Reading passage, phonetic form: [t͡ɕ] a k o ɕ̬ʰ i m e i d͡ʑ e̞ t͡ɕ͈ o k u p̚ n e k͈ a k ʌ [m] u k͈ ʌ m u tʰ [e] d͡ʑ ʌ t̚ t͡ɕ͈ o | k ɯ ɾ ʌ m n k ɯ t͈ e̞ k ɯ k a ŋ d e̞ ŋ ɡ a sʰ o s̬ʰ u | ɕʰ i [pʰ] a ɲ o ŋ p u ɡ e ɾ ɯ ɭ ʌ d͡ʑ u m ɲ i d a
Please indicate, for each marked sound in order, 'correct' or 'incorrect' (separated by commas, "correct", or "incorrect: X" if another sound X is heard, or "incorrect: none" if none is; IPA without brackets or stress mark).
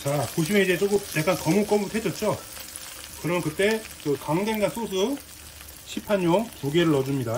correct, correct, correct, correct